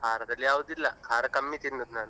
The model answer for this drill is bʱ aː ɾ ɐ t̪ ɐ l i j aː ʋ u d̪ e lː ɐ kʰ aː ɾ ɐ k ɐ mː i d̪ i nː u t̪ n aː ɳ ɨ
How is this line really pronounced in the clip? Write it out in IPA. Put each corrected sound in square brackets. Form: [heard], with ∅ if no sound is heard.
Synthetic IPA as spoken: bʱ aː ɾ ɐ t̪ ɐ l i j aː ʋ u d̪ [i] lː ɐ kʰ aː ɾ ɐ k ɐ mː i [t̪] i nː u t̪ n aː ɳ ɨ